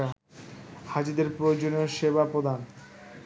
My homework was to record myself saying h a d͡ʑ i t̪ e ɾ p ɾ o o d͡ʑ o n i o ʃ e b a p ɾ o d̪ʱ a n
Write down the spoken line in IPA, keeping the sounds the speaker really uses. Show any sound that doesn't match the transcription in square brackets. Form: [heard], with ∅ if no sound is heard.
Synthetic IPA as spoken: h a d͡ʑ i [d̪] e ɾ p ɾ o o d͡ʑ o n i o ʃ e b a p ɾ o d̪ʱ a n